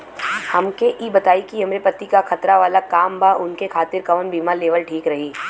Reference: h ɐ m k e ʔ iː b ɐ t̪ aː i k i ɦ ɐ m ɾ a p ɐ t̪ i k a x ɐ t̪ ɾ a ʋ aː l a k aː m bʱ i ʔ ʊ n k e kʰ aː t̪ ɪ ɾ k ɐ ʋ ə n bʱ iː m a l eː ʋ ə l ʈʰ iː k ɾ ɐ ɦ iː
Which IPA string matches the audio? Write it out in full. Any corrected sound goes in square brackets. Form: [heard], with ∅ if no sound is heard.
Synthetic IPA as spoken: h ɐ m k e ʔ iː b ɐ t̪ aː i k i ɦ ɐ m ɾ [e] p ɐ t̪ i k a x ɐ t̪ ɾ a ʋ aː l a k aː m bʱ [a] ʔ ʊ n k e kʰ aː t̪ ɪ ɾ k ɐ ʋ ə n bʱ iː m a l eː ʋ ə l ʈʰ iː k ɾ ɐ ɦ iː